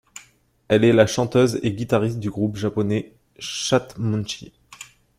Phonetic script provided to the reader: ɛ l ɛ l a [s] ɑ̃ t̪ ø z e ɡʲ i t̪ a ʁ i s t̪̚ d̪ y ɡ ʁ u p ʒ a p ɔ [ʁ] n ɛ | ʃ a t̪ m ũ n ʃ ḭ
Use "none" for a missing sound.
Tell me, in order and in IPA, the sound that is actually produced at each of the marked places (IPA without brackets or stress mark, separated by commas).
ʃ, none